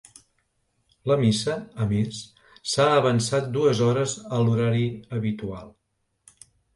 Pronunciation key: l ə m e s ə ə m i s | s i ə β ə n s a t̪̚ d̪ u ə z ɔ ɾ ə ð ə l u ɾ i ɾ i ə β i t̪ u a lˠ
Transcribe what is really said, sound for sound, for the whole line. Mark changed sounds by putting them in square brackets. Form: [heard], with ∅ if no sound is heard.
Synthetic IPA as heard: l ə m [i] s ə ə m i s | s [a] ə β ə n s a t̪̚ d̪ u ə z ɔ ɾ ə [z] ə l u ɾ [a] ɾ i ə β i t̪ u a lˠ